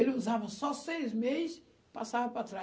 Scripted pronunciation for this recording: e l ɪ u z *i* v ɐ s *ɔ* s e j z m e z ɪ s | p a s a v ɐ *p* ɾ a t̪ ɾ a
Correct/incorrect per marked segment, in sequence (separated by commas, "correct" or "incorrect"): incorrect, correct, correct